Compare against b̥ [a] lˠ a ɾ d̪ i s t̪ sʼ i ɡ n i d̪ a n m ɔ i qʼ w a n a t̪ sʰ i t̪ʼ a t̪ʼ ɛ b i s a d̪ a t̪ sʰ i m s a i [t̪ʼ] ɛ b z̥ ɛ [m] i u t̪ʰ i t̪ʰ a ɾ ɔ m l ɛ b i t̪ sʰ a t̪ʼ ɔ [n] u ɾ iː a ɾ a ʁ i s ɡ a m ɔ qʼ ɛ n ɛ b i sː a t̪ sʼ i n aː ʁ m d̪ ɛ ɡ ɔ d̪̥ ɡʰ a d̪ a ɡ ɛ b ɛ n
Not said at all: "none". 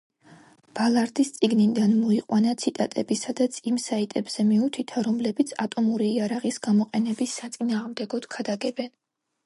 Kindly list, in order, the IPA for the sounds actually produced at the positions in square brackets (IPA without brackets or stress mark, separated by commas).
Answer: a, t̪ʼ, m, m